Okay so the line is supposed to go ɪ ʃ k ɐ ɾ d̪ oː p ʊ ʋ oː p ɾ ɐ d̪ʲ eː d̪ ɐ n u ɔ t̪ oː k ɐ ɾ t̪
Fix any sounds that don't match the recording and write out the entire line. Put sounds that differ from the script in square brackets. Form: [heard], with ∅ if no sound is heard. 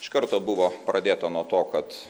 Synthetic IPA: ɪ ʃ k ɐ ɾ [t̪] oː [b] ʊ ʋ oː p ɾ ɐ d̪ʲ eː [t̪] ɐ n u ɔ t̪ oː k ɐ [∅] t̪